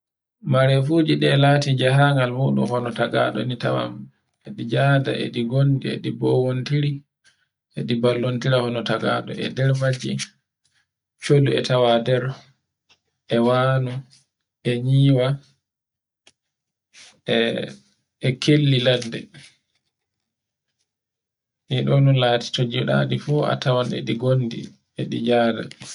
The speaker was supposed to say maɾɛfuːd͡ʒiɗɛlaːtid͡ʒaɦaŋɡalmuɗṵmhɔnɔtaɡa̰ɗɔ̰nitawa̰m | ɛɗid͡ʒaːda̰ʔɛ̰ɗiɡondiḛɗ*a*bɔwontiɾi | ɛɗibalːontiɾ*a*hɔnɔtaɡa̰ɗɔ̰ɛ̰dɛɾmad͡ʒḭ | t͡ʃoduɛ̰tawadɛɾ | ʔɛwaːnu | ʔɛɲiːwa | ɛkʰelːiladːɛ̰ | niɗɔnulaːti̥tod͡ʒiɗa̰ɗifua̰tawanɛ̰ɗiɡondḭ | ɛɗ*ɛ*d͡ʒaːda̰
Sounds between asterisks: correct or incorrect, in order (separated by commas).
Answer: incorrect, correct, incorrect